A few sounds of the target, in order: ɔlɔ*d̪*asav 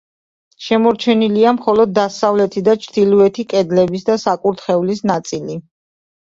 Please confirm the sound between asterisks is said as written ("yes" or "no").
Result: no